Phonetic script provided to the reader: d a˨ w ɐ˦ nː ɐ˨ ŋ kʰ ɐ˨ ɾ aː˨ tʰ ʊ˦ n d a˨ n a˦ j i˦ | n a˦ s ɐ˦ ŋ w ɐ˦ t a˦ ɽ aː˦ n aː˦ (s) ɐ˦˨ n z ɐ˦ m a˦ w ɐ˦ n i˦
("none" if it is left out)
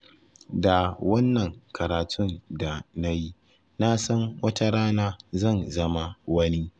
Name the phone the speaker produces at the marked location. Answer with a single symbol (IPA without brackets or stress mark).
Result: z